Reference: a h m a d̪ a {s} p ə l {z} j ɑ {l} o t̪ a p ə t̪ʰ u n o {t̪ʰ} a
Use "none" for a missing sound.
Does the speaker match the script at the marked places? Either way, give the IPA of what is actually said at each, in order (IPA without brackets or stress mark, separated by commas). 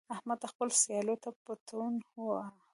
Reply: x, s, l, none